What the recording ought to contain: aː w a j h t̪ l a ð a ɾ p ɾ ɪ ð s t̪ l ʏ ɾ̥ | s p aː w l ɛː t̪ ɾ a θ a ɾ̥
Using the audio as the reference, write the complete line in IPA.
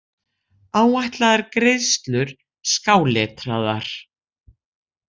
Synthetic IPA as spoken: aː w a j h t̪ l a ð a ɾ k ɾ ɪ ð s t̪ l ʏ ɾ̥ | s k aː w l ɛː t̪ ɾ a ð a ɾ̥